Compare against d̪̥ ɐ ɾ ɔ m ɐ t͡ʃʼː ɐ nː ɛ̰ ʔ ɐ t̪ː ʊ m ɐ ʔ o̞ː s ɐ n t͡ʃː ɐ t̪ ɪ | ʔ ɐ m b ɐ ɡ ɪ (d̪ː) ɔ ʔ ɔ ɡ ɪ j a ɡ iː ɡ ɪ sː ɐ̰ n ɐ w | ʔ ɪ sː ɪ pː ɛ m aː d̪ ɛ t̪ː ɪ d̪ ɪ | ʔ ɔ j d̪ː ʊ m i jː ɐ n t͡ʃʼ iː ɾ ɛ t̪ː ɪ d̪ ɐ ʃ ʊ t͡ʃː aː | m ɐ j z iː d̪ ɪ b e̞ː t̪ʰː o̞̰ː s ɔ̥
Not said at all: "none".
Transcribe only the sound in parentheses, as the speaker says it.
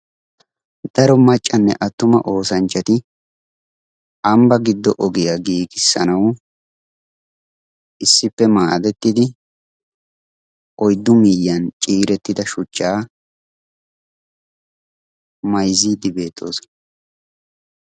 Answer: d̪ː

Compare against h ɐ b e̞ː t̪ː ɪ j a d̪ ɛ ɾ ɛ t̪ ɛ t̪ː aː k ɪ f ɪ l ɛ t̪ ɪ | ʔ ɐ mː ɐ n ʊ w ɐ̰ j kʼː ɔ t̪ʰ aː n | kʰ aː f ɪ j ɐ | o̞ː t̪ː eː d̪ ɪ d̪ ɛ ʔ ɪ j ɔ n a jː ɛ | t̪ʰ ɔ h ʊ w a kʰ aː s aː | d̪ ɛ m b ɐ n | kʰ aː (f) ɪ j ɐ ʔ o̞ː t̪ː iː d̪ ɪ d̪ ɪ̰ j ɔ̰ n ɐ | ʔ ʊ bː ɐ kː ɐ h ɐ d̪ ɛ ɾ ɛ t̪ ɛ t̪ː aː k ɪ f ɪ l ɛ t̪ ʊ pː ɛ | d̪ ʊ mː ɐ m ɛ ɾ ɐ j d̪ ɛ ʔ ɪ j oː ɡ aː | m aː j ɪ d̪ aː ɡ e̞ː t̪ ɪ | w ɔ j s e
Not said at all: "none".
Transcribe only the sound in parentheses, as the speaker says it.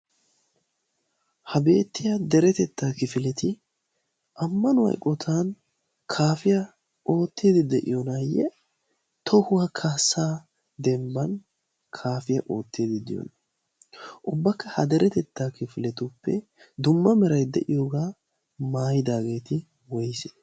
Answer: f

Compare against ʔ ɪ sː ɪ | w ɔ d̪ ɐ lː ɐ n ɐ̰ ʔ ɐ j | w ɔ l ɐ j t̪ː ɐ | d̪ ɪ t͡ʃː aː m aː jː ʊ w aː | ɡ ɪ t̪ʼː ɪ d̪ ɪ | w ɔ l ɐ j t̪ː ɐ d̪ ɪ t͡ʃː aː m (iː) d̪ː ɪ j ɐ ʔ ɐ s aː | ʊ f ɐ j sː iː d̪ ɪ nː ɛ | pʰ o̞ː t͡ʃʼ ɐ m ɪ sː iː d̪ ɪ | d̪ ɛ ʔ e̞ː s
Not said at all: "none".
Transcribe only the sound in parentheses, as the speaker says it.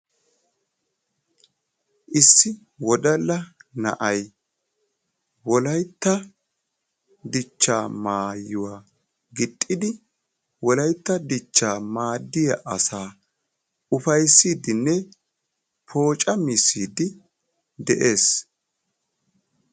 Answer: aː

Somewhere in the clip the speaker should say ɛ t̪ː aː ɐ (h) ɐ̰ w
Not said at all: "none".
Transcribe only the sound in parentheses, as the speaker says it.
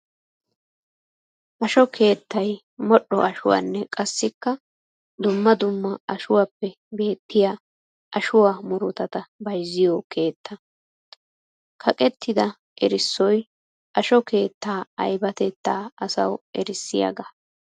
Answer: s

